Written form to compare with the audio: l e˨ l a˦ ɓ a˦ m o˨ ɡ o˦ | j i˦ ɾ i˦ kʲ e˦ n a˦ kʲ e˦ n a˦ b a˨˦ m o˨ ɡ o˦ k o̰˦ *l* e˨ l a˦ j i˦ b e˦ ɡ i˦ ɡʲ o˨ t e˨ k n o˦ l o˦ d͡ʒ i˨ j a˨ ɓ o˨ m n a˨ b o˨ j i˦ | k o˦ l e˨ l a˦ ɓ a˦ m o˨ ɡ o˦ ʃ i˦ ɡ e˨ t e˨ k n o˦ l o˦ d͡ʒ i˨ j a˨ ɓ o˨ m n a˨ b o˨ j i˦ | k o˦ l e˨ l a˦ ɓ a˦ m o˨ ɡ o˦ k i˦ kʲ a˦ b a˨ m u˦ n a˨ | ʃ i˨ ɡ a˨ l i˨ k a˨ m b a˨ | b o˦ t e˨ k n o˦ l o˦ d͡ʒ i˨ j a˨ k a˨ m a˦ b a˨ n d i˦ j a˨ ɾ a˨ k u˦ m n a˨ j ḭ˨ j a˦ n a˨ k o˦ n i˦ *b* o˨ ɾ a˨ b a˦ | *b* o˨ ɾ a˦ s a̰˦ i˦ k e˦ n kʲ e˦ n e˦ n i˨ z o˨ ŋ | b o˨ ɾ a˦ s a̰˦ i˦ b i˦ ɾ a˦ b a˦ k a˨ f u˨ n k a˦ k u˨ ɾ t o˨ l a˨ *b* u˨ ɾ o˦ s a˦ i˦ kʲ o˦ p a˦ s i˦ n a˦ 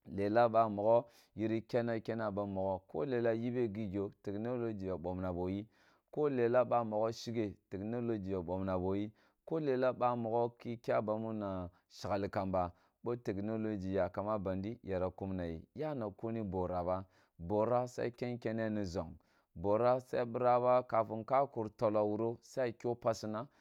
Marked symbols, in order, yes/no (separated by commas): yes, yes, yes, no